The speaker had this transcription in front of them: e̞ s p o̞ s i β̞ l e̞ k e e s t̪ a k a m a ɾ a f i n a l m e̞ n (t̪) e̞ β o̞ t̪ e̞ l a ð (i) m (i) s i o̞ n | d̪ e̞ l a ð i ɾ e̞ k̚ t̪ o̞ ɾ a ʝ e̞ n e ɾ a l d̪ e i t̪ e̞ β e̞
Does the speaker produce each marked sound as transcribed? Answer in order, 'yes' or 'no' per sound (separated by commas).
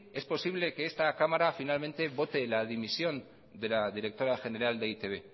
yes, yes, yes